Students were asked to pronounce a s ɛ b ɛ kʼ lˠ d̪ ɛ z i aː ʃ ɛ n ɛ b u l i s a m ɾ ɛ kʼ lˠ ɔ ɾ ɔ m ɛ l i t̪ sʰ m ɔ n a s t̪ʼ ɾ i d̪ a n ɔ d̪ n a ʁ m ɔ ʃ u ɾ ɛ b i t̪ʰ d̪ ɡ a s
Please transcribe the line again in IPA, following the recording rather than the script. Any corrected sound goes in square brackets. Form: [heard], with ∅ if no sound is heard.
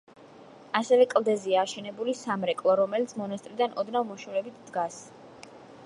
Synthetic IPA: a s ɛ [v] ɛ kʼ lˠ d̪ ɛ z i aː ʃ ɛ n ɛ b u l i s a m ɾ ɛ kʼ lˠ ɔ ɾ ɔ m ɛ l i t̪ sʰ m ɔ n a s t̪ʼ ɾ i d̪ a n ɔ d̪ n a [v] m ɔ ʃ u ɾ ɛ b i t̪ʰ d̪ ɡ a s